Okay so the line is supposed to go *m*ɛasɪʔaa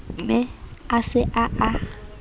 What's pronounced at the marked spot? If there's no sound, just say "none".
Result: m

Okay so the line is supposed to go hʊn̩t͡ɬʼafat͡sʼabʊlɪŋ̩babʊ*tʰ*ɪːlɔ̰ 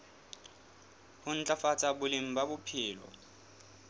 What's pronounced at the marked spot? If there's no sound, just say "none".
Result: pʰ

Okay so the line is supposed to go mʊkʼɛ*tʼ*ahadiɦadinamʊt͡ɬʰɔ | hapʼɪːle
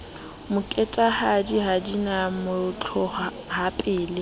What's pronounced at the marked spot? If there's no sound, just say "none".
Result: tʼ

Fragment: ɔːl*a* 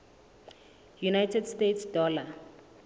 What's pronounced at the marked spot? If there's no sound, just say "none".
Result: a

